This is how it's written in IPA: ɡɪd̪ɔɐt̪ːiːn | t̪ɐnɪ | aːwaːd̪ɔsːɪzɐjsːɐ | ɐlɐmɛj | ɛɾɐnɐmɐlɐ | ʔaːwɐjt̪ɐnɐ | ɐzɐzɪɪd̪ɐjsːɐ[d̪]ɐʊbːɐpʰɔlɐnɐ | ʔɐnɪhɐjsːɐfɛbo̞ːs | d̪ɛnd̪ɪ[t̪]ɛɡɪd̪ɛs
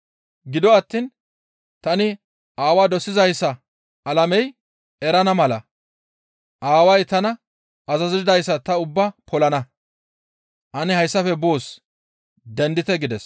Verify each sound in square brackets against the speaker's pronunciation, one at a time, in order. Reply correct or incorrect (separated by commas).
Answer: incorrect, correct